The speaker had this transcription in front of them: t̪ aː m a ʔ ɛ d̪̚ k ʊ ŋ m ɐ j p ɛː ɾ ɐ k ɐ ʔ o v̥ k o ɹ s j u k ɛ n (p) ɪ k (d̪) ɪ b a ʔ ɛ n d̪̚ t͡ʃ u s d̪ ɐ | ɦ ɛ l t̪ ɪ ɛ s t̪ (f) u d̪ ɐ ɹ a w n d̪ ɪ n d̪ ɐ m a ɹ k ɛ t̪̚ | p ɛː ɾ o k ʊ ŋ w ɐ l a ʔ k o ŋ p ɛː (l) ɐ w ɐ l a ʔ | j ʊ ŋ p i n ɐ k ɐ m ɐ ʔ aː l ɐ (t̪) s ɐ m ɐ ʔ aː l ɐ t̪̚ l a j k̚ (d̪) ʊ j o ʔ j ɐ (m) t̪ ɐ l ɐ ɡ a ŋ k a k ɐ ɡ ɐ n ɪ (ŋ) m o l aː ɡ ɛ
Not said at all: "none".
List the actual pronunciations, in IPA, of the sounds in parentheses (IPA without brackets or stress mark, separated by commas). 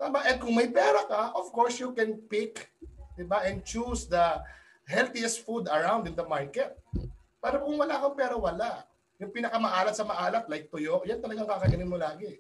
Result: p, d̪, f, ɾ, t̪, t̪, n, n